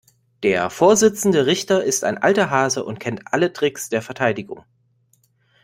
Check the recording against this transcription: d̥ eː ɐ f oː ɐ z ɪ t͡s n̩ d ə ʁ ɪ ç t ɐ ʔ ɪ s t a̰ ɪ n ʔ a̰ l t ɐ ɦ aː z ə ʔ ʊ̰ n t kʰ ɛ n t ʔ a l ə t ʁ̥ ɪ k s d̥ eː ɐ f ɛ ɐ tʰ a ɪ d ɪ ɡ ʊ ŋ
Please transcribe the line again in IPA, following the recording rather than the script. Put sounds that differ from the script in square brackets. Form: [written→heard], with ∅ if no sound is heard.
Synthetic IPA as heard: d̥ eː ɐ f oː ɐ z ɪ t͡s n̩ d ə ʁ ɪ ç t ɐ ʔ ɪ s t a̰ ɪ n ʔ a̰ l t ɐ ɦ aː z ə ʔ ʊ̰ n t kʰ ɛ n t ʔ a l ə t ʁ̥ ɪ k s d̥ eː ɐ f ɛ ɐ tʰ a ɪ d ɪ ɡ ʊ ŋ